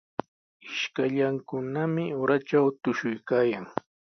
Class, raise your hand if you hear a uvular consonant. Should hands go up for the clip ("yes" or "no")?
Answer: no